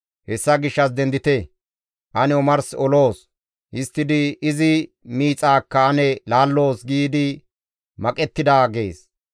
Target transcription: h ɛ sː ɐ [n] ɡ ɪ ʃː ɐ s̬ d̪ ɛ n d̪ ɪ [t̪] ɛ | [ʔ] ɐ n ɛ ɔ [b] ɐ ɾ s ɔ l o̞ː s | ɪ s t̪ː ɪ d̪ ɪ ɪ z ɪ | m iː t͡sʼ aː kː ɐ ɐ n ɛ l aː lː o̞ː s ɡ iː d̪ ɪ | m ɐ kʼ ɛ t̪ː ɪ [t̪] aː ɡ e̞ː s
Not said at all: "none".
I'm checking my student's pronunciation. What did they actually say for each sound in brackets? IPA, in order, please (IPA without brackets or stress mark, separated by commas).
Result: none, t̪, ʔ, m, d̪